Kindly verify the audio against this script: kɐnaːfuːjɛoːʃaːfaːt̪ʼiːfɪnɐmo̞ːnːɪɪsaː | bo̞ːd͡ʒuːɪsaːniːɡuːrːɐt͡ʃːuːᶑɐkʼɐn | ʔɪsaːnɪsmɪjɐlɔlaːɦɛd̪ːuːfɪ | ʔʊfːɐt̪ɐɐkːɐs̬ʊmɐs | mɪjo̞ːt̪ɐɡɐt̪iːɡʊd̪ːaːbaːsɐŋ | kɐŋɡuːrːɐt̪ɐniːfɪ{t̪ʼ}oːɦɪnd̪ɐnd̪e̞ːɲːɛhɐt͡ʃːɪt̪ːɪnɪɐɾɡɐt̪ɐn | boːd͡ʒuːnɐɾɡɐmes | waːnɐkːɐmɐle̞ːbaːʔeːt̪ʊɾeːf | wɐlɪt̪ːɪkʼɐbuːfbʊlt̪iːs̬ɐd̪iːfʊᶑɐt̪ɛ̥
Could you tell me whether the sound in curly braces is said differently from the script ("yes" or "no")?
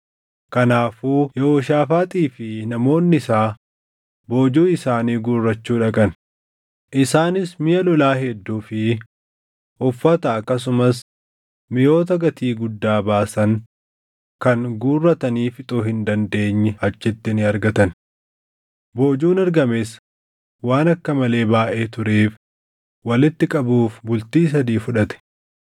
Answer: no